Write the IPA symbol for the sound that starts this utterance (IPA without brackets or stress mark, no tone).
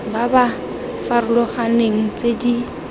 b